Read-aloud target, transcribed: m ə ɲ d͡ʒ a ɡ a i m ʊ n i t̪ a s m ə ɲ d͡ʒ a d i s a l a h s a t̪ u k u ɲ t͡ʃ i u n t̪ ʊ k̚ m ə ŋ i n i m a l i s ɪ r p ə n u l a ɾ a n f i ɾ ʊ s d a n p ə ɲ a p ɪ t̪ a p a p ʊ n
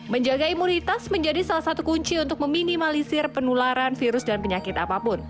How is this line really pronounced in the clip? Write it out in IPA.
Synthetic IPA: m ə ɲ d͡ʒ a ɡ a i m u n i t̪ a s m ə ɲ d͡ʒ a d i s a l a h s a t̪ u k u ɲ t͡ʃ i u n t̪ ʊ k̚ m ə m i n i m a l i s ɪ r p ə n u l a ɾ a n f i ɾ ʊ s d a n p ə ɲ a k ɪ t̪ a p a p ʊ n